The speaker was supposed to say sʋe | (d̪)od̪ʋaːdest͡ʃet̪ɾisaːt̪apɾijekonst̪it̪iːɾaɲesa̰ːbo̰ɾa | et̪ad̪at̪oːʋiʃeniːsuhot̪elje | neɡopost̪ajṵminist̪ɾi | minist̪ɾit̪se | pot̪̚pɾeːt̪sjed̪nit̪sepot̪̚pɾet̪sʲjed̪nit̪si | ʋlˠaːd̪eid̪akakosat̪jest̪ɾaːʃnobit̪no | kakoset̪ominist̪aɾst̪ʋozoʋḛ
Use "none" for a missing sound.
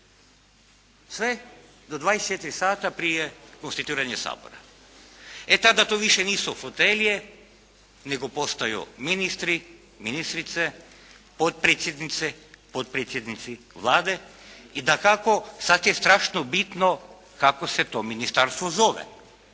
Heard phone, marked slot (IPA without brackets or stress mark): d̪